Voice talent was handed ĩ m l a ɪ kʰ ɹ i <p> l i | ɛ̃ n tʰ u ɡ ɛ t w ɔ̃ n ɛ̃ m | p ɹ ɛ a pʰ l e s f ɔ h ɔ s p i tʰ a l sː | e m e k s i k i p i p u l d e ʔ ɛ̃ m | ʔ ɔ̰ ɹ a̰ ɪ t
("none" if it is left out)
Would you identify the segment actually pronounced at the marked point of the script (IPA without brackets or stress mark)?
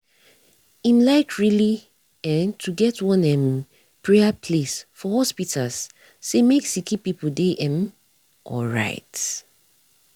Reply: none